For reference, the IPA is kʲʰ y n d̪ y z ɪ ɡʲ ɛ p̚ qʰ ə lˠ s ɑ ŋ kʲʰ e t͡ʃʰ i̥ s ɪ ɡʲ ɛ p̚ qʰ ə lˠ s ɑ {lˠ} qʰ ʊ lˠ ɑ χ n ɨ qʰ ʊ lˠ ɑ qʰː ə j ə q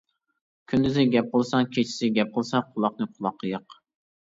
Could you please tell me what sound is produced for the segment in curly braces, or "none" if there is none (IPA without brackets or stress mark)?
none